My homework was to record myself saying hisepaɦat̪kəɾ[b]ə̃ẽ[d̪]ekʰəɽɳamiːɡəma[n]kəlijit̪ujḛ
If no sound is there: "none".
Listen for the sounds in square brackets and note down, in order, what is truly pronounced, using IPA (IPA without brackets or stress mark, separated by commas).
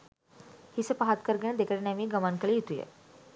ɡ, d̪, n